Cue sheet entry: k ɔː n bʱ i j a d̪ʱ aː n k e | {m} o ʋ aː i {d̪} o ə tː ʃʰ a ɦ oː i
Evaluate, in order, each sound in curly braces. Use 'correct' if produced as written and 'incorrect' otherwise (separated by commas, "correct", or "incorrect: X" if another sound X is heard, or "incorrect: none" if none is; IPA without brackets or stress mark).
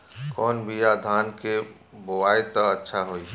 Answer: incorrect: b, incorrect: t̪